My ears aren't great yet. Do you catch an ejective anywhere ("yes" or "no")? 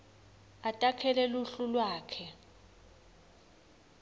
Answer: yes